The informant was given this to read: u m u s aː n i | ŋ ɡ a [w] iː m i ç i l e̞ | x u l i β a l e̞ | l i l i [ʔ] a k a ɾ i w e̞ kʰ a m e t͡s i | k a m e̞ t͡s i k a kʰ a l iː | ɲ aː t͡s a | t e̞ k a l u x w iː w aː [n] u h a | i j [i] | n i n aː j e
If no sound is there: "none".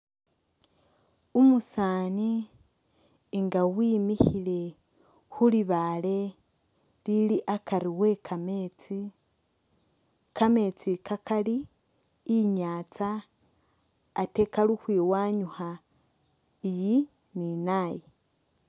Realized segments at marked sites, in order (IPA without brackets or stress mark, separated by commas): w, ʔ, ɲ, i